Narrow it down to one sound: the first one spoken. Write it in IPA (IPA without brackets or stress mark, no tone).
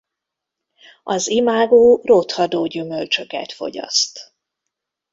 ɒ